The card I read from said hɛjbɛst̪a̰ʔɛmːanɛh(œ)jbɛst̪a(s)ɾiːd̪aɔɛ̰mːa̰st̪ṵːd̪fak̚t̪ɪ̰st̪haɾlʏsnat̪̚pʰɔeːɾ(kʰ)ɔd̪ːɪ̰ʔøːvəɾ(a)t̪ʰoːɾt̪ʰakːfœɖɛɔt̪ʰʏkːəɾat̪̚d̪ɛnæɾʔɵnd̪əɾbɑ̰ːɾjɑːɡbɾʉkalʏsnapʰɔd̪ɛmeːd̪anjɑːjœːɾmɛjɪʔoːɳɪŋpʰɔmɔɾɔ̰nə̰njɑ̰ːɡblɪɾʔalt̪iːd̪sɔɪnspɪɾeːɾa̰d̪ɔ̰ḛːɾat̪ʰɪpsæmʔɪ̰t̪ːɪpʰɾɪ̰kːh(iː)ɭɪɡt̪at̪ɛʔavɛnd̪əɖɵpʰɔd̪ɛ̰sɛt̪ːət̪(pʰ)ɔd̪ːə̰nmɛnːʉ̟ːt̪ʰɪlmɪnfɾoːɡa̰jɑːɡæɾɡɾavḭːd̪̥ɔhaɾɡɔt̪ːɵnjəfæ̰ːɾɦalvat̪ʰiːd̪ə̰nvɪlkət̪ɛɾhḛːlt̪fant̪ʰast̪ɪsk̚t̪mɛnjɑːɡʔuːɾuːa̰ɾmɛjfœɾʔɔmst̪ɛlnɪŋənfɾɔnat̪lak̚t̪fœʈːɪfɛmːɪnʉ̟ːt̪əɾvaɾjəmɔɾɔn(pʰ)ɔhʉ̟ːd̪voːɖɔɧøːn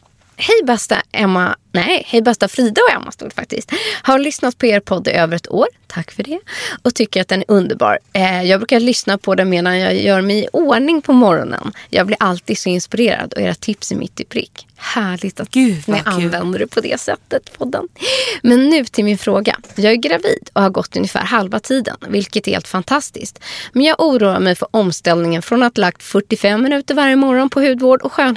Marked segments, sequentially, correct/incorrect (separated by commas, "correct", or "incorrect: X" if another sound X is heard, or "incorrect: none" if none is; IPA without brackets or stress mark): incorrect: ɛ, incorrect: f, incorrect: pʰ, incorrect: ɛ, incorrect: æː, correct, correct